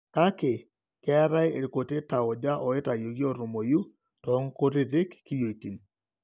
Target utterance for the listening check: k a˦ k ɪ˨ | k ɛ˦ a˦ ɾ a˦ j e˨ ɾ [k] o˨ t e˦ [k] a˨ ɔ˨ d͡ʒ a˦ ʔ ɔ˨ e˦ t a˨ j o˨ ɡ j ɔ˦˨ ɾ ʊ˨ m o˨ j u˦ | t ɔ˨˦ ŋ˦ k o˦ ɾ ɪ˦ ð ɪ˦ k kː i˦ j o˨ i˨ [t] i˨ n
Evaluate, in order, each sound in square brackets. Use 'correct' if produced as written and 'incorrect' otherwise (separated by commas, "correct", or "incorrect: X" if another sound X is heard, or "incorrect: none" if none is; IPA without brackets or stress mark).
correct, incorrect: t, correct